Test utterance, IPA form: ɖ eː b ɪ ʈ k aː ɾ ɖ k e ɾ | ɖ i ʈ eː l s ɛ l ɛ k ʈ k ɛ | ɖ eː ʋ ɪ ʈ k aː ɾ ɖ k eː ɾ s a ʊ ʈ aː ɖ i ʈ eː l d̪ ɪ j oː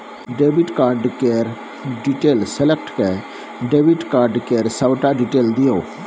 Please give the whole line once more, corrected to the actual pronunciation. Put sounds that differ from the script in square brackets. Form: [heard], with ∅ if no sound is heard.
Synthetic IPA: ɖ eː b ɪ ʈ k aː ɾ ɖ k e ɾ | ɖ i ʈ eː l s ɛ l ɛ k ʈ k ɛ | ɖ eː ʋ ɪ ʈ k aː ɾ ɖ k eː ɾ s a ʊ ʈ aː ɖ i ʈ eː l d̪ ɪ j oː